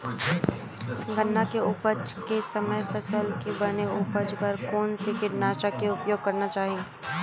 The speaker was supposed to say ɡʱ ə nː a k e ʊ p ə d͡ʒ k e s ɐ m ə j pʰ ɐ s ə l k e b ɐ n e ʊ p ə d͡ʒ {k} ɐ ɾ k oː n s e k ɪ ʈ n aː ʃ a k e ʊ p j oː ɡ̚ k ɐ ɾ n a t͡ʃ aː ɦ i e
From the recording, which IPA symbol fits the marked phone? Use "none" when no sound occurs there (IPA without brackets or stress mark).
p